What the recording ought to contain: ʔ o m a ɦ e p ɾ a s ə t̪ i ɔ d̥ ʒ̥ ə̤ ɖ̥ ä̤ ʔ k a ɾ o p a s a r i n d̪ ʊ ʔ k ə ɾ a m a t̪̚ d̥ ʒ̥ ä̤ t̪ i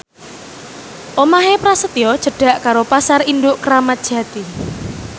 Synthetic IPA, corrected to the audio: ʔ o m a ɦ e p ɾ a s ə t̪ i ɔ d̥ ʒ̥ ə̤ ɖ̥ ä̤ ʔ k a ɾ o p a s a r i n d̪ ʊ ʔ k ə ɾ a m a t̪̚ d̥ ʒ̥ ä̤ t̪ i